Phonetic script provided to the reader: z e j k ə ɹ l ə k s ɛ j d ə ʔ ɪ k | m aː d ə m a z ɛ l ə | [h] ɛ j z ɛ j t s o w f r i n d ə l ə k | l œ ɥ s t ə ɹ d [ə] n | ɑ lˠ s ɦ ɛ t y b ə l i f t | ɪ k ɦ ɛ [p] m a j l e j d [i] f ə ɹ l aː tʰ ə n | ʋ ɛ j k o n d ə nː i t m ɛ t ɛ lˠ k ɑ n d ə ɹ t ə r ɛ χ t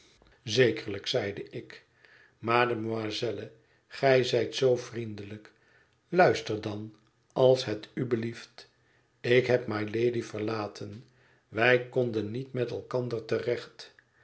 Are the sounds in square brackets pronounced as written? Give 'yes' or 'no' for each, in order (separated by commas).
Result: no, no, yes, yes